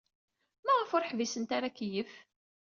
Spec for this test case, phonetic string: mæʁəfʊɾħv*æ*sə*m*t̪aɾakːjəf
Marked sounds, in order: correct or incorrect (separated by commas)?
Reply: incorrect, incorrect